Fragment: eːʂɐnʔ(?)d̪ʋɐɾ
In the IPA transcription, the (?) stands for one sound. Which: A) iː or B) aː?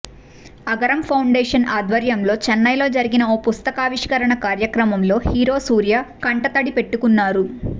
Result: B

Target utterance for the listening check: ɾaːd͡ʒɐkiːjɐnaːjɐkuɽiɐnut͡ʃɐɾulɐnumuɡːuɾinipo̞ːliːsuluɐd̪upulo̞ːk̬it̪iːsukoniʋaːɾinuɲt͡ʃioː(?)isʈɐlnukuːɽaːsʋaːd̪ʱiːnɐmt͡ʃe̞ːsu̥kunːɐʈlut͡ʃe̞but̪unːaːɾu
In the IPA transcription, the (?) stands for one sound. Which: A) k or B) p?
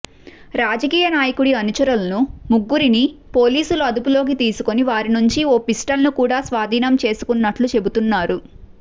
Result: B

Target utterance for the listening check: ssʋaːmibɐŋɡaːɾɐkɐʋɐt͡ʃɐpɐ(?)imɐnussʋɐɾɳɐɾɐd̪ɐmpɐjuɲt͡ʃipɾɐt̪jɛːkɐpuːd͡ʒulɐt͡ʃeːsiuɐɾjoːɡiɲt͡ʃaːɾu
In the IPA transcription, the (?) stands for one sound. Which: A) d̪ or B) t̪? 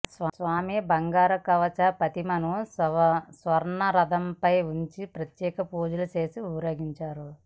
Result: B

